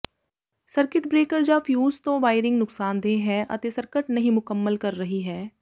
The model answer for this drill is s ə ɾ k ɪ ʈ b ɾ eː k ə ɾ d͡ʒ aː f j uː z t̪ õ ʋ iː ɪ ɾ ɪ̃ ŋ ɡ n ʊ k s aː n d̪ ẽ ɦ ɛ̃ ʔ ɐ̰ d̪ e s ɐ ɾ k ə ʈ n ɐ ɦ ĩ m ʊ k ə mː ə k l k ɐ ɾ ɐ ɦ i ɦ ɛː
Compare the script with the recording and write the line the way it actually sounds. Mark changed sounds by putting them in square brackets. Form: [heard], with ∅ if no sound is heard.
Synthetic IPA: s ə ɾ k ɪ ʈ b ɾ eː k ə ɾ d͡ʒ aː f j uː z t̪ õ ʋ [aː] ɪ ɾ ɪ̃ ŋ ɡ n ʊ k s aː n d̪ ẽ ɦ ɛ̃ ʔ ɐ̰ [t̪] e s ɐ ɾ k ə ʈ n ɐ ɦ ĩ m ʊ k ə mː ə [∅] l k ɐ [ɾː] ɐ ɦ i ɦ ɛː